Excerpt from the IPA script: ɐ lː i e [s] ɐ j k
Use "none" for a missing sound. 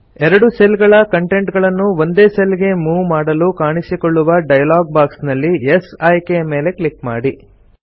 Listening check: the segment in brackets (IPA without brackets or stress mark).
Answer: s